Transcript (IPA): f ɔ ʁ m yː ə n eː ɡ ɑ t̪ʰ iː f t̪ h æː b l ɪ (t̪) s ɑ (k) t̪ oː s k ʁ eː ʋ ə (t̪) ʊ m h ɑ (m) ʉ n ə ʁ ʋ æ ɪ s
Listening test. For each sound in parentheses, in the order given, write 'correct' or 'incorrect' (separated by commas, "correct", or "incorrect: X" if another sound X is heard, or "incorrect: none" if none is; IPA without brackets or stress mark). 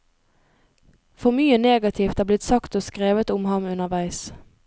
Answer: correct, correct, correct, correct